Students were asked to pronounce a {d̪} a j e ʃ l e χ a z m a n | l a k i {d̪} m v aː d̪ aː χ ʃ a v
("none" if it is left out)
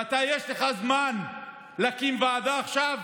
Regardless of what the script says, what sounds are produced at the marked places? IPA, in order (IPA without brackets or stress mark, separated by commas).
t̪, none